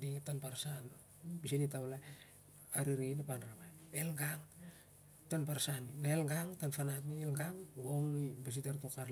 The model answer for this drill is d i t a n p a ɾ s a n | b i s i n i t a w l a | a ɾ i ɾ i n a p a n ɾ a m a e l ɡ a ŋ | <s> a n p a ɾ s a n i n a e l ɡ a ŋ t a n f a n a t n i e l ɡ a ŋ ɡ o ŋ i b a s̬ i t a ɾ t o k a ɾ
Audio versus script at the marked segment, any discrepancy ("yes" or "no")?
yes